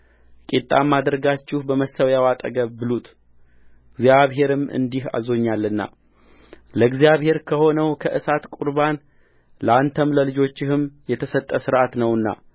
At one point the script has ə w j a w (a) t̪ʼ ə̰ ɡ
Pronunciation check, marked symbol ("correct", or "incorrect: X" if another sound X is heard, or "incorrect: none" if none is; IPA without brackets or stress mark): correct